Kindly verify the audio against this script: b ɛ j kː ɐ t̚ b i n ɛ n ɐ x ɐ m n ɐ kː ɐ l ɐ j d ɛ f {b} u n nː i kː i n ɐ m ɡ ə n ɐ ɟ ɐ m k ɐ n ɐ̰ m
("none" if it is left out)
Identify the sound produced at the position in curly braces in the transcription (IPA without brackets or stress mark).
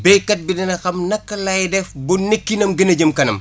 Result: b